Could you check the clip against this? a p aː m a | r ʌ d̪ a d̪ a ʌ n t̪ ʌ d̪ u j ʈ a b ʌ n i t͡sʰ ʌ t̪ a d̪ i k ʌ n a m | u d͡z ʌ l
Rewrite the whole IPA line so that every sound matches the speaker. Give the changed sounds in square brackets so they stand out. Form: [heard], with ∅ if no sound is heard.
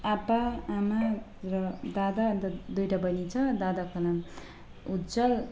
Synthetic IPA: a p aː m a | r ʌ d̪ a d̪ a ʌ n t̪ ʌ d̪ u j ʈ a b ʌ n i t͡sʰ ʌ [d̪] a d̪ [a] k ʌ n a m | u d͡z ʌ l

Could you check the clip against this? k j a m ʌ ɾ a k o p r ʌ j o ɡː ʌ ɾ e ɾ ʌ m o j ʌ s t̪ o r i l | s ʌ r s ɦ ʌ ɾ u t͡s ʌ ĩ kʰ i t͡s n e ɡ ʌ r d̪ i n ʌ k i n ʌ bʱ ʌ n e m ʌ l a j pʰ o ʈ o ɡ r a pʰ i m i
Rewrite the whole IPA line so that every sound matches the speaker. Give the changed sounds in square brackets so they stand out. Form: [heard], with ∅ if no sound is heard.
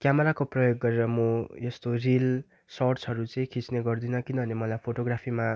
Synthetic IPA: k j a m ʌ ɾ a k o p r ʌ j o ɡː ʌ ɾ e ɾ ʌ m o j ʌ s t̪ o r i l | s ʌ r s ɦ ʌ ɾ u t͡s ʌ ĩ kʰ i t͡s n e ɡ ʌ r d̪ i n ʌ k i n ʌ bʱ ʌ n e m ʌ l a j pʰ o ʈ o ɡ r a pʰ i m [a]

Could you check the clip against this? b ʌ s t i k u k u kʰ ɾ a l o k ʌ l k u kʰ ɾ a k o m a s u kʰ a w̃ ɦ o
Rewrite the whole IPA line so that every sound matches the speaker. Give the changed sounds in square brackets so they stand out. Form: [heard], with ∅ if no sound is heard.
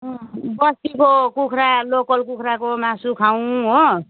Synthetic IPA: b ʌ s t i k [o] k u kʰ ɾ a l o k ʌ l k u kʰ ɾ a k o m a s u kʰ a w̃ ɦ o

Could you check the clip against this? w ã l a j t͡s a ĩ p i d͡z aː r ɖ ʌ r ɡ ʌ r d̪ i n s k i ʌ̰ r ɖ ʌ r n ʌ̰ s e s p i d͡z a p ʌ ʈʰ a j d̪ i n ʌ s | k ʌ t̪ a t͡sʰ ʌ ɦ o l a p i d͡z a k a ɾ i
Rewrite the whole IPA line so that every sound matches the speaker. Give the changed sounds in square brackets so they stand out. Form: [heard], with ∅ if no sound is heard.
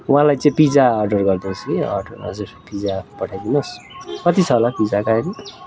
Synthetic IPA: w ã l a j t͡s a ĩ p i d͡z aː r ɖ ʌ r ɡ ʌ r d̪ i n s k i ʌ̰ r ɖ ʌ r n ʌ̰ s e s p i d͡z a p ʌ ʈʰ a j d̪ i n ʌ s | k ʌ t̪ [i] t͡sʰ ʌ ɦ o l a p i d͡z a k a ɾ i

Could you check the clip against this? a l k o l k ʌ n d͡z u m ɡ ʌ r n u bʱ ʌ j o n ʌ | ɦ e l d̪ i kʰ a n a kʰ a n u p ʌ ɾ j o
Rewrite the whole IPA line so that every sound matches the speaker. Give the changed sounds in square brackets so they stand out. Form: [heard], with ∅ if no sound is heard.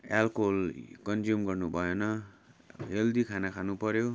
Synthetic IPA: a l k o l k ʌ n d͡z u m ɡ ʌ r n u bʱ ʌ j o n ʌ | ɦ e l d̪ i kʰ a n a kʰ a n u p ʌ ɾ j o

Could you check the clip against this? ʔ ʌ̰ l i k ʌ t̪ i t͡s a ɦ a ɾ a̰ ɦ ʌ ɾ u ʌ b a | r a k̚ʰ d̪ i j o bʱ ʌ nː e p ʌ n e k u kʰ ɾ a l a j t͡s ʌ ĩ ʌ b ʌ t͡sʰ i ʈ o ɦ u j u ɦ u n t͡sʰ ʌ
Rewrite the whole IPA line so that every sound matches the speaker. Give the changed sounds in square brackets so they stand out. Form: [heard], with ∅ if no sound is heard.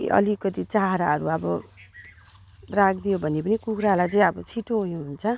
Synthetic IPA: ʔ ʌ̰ l i k ʌ t̪ i t͡s a ɦ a ɾ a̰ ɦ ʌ ɾ u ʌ b [ʌ] | r a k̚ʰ d̪ i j o bʱ ʌ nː e p ʌ n [i] k u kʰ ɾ a l a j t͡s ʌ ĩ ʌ b ʌ t͡sʰ i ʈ o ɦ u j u ɦ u n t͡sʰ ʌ

